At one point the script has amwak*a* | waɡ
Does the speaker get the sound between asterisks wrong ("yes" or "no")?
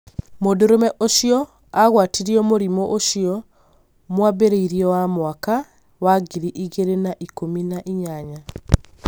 no